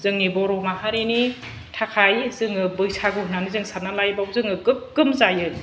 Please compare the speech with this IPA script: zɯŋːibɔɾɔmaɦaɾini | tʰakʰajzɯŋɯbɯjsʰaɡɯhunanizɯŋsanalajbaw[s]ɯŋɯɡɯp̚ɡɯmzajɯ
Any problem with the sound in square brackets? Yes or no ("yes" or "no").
yes